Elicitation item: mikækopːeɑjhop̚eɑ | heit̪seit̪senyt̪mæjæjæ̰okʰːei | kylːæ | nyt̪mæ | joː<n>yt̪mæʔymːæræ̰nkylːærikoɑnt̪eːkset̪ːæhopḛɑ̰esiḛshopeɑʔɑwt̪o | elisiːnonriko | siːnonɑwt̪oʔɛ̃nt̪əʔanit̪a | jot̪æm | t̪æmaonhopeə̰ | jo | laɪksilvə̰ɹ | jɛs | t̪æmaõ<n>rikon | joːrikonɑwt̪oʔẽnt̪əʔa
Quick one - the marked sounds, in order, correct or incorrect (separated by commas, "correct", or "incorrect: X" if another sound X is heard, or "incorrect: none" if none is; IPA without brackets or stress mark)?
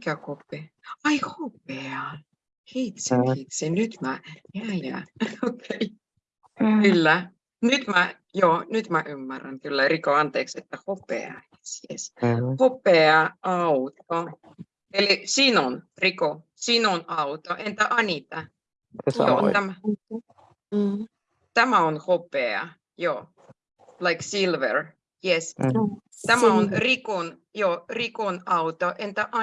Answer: correct, correct